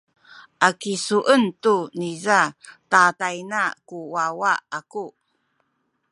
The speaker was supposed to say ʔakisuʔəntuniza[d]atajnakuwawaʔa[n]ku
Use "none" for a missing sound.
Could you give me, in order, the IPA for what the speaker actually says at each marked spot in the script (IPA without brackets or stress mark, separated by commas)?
t, none